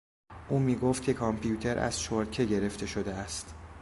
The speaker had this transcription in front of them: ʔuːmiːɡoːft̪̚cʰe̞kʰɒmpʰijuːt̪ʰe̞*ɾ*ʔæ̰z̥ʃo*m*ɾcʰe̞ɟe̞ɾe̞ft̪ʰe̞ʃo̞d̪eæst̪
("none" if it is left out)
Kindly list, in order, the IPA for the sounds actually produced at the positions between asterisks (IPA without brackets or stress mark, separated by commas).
ɾ, none